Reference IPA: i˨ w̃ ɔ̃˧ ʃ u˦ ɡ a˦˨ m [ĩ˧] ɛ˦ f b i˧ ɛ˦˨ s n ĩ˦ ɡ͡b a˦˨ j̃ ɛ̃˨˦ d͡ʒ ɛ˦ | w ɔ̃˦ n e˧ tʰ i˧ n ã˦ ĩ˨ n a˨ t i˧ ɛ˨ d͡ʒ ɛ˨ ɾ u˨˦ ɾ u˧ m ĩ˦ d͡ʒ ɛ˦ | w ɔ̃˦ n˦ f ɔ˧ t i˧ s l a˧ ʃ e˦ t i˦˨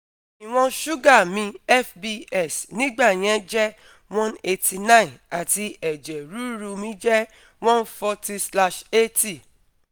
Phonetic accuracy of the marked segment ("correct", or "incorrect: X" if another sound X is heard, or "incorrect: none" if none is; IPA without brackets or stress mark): correct